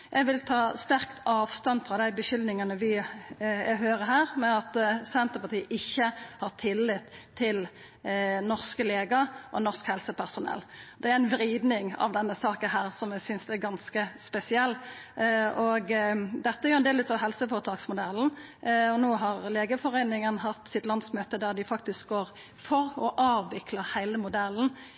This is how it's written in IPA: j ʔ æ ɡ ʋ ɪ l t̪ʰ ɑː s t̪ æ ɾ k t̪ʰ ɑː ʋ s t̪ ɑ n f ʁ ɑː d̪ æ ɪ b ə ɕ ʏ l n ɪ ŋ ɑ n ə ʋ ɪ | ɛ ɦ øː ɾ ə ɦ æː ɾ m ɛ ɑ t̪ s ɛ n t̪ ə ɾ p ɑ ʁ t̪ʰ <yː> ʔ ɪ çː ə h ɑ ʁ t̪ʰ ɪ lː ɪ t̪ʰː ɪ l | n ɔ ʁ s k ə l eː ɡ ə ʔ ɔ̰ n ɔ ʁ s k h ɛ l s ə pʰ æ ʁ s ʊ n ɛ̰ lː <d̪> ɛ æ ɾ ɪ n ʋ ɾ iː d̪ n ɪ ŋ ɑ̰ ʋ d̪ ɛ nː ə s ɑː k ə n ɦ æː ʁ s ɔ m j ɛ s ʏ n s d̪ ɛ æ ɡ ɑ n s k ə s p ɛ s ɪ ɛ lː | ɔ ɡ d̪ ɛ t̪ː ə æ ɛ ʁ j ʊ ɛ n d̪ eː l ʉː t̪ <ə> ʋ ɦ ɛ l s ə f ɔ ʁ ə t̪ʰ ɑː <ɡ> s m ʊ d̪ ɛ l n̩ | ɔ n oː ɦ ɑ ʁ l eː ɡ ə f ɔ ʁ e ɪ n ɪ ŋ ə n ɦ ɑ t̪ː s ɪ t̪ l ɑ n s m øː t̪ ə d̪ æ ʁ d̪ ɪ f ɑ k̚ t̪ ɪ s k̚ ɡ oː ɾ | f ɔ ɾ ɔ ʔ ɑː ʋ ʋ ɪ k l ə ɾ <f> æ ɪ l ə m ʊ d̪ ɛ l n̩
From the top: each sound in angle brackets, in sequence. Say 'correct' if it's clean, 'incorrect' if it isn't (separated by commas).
incorrect, correct, incorrect, incorrect, incorrect